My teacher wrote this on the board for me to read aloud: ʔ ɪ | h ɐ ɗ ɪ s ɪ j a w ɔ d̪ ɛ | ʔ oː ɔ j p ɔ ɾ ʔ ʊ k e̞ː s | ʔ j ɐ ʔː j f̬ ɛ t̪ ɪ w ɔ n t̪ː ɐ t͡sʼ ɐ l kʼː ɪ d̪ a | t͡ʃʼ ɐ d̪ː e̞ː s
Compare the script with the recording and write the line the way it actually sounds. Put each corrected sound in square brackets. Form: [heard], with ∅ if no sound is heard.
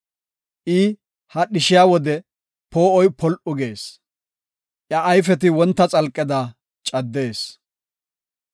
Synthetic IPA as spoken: ʔ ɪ | h ɐ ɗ ɪ [ʃ] ɪ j a w ɔ d̪ ɛ | [p] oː ɔ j p ɔ [l] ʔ ʊ [ɡ] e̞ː s | ʔ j ɐ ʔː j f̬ ɛ t̪ ɪ w ɔ n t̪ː ɐ t͡sʼ ɐ l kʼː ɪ d̪ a | t͡ʃʼ ɐ d̪ː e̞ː s